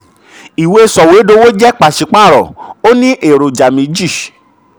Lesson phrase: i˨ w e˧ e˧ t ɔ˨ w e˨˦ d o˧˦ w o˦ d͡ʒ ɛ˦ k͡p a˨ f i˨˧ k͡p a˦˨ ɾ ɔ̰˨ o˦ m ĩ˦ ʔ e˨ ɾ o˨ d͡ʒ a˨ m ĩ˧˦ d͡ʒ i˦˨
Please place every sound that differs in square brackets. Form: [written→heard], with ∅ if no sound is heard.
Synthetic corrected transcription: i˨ w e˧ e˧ [t→s] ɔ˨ w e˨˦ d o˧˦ w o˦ d͡ʒ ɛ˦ k͡p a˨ [f→ʃ] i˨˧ k͡p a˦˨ ɾ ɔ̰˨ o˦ [m→n] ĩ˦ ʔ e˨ ɾ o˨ d͡ʒ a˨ m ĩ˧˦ d͡ʒ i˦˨